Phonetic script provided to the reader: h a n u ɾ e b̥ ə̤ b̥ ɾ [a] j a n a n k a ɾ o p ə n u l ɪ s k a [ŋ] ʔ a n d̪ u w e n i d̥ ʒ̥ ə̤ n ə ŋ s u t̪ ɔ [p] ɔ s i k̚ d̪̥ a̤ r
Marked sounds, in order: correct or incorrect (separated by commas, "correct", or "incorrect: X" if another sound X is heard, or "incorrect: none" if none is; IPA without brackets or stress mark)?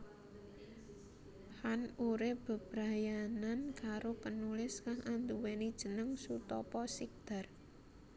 correct, correct, correct